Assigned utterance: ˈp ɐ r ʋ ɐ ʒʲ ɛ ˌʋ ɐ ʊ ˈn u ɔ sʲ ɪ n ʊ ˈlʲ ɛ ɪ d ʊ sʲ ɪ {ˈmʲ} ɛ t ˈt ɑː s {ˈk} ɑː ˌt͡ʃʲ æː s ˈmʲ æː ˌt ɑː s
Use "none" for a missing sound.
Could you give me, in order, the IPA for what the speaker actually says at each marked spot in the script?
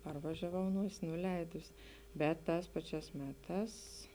bʲ, p

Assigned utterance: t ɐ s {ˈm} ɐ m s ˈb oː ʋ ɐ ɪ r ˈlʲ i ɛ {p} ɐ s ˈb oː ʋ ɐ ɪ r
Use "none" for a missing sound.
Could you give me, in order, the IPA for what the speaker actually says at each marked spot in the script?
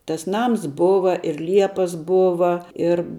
n, p

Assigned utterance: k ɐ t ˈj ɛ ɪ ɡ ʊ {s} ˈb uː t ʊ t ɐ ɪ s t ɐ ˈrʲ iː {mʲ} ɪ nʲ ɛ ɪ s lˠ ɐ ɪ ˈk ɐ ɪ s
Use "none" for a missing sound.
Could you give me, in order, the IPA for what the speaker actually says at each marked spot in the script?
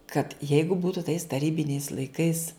none, bʲ

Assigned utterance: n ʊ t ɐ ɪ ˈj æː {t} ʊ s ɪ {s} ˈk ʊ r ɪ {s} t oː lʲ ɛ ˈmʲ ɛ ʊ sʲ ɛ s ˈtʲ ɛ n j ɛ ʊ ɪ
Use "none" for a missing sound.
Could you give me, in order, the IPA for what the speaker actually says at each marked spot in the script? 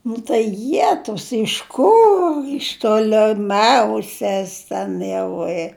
t, ʃ, ʃ

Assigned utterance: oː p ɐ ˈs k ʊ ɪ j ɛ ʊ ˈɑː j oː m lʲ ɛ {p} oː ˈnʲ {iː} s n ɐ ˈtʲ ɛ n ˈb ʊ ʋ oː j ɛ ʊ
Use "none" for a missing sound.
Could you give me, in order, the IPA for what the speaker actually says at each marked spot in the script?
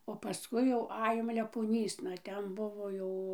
p, iː

